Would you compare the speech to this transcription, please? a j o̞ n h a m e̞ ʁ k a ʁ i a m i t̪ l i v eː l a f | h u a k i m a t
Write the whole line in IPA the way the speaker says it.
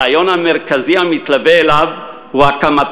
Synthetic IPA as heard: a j o̞ n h a m e̞ ʁ k a z i a m i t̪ l a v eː l a v | h u a k a m a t